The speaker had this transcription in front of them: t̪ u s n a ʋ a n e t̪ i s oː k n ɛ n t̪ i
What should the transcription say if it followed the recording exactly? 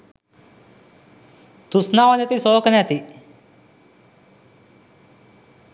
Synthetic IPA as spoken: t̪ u s n a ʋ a n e t̪ i s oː k n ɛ t̪ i